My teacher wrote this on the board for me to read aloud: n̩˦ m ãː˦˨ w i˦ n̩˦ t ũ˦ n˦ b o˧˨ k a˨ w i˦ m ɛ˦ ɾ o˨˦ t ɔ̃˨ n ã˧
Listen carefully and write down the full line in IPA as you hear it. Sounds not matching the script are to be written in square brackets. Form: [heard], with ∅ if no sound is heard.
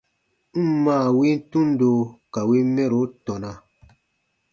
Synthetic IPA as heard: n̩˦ m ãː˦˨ w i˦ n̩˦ t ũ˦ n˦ [d] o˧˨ k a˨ w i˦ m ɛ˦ ɾ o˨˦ t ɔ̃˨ n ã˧

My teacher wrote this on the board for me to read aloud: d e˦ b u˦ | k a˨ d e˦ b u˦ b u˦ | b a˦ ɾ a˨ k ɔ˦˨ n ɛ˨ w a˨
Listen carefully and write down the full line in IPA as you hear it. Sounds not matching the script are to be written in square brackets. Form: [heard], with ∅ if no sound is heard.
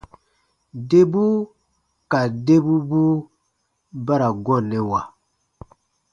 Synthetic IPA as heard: d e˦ b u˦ | k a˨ d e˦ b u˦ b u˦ | b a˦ ɾ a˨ [ɡ] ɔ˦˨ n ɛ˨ w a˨

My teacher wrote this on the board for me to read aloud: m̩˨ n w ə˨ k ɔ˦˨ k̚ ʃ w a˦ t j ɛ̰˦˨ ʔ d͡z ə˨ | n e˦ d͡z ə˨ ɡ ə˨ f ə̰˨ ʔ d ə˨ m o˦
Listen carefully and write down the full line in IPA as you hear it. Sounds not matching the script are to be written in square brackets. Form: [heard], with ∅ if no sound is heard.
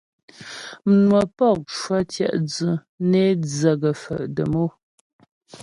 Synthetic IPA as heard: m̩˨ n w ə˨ [p] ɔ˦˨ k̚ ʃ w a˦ t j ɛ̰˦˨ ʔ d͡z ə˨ | n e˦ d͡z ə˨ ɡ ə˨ f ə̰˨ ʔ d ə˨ m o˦

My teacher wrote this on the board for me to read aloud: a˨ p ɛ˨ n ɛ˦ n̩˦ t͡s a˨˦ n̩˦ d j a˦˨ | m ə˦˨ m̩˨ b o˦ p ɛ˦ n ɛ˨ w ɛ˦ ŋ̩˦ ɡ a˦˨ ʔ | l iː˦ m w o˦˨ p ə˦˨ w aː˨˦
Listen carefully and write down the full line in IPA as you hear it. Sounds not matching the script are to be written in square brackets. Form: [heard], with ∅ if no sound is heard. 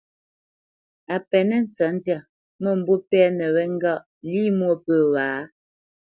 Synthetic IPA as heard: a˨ p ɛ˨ n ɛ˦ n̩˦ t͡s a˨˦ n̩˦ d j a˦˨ | m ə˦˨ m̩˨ b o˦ p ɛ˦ n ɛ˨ w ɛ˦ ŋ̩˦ ɡ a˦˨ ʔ | l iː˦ m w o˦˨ p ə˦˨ w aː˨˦

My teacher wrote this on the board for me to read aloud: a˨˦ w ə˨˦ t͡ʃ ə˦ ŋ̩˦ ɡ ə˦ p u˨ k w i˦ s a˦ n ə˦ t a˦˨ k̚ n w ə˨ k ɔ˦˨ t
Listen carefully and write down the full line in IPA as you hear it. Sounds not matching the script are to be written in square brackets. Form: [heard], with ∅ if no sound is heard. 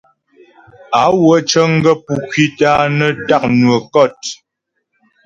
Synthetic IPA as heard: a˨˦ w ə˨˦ t͡ʃ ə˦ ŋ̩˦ ɡ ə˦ p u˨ k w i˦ [t] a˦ n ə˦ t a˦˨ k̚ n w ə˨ k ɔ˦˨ t

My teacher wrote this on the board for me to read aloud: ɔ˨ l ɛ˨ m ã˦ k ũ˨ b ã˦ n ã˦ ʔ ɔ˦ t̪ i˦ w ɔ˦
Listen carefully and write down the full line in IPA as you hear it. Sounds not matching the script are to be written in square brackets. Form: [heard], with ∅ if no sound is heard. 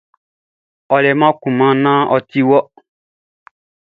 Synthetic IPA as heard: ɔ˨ l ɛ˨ m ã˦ k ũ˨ [m] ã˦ n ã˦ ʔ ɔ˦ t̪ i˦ w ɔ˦

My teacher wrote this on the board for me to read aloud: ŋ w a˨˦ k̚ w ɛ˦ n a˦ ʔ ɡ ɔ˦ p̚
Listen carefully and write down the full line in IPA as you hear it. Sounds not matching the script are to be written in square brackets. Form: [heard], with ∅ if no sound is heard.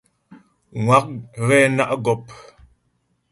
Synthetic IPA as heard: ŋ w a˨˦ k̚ [ɣ] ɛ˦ n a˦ ʔ ɡ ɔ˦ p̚

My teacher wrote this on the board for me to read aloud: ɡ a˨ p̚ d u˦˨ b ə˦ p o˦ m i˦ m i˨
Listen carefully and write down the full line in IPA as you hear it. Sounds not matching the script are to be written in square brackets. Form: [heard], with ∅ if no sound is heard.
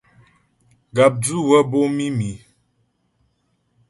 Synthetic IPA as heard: ɡ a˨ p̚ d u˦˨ [w] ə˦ [b] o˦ m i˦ m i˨

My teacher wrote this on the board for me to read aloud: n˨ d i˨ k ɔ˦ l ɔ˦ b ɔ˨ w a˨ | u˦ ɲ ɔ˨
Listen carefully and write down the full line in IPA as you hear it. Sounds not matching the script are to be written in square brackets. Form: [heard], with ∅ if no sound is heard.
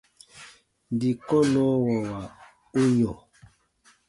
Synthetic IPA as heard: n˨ d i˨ k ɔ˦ l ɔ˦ [w] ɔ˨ w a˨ | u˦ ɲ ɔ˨

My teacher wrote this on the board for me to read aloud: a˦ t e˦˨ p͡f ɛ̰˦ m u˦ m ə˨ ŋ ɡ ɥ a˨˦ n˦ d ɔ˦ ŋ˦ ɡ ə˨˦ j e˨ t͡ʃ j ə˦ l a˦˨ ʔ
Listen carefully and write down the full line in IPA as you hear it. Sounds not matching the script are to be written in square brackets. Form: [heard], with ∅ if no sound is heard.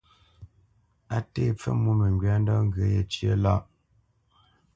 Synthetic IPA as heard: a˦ t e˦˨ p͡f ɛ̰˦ m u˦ m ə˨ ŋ ɡ ɥ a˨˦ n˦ d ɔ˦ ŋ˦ ɡ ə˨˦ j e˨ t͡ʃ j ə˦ l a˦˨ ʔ

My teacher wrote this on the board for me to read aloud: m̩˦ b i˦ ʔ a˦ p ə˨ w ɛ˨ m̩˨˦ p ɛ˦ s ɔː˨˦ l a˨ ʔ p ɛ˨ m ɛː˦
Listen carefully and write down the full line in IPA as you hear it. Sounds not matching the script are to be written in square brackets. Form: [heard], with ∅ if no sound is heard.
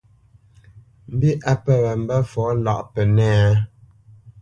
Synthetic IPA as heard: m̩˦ b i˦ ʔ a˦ p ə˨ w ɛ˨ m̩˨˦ [b] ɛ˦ [f] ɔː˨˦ l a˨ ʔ p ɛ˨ [n] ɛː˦

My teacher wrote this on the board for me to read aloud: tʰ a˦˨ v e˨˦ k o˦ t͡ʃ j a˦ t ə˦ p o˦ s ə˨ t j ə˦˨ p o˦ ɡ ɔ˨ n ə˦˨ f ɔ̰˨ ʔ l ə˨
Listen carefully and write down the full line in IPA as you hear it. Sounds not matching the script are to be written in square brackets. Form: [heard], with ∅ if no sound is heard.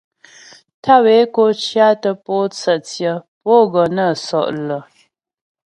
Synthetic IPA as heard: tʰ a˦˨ [w] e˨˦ k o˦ t͡ʃ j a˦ t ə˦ p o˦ [t͡s] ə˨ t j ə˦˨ p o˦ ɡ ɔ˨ n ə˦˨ [s] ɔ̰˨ ʔ l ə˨

